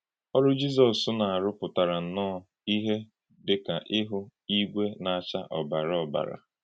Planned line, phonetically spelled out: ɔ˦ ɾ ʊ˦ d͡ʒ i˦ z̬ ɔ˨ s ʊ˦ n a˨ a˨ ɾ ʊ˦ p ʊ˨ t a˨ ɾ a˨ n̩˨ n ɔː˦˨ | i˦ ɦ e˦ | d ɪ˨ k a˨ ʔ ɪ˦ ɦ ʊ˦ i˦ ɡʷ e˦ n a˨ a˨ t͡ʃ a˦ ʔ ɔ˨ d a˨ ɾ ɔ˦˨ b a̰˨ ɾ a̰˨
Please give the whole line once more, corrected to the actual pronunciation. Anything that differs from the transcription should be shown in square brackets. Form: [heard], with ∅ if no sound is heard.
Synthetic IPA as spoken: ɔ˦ ɾ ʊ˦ d͡ʒ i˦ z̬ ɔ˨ s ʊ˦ n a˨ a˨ ɾ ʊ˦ p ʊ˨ t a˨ ɾ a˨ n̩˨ n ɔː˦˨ | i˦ ɦ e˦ | d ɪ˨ k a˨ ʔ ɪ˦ ɦ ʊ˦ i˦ ɡʷ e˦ n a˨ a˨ t͡ʃ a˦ ʔ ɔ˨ [b] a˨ ɾ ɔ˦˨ b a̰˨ ɾ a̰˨